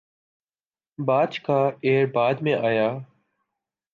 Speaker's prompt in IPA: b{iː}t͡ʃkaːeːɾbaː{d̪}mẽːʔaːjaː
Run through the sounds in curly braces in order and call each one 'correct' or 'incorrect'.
incorrect: aː, correct

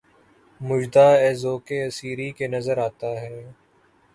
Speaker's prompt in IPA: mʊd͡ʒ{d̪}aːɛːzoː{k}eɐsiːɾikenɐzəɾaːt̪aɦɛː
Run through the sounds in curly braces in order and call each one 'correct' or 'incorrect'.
correct, correct

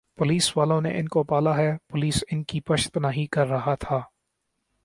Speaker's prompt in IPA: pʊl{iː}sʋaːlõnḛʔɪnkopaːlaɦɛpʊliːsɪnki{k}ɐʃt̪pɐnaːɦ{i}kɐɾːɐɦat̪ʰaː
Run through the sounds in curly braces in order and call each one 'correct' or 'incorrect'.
correct, incorrect: p, correct

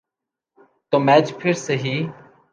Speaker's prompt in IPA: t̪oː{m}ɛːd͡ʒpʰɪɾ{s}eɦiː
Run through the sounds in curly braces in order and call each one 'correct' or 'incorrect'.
correct, correct

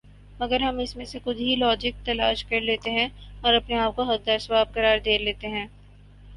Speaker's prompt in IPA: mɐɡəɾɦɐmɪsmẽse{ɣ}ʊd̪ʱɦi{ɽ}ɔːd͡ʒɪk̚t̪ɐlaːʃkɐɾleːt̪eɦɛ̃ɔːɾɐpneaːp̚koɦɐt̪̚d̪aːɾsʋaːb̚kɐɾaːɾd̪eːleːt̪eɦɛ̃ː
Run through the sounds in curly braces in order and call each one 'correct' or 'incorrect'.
incorrect: x, incorrect: l

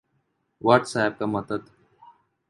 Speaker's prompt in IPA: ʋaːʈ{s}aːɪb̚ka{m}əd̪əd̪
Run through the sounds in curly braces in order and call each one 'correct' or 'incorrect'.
correct, correct

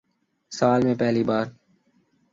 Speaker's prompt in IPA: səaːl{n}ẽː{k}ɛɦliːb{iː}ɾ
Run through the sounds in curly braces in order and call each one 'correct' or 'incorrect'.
incorrect: m, incorrect: p, incorrect: aː

